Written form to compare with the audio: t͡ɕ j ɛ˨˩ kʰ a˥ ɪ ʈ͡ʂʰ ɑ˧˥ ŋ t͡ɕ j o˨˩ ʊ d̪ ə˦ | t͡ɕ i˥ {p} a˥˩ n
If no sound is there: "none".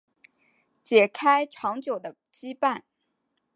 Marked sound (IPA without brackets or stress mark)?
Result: p